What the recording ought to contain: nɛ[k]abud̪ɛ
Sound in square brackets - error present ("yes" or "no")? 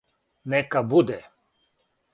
no